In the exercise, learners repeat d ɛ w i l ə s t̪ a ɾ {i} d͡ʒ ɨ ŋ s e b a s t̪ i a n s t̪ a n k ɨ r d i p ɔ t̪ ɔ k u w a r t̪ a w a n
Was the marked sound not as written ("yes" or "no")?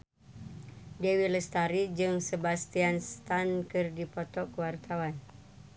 no